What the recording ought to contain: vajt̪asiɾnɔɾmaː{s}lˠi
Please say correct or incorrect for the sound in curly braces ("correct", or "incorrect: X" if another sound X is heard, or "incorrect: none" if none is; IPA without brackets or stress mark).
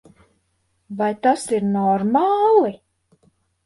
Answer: incorrect: none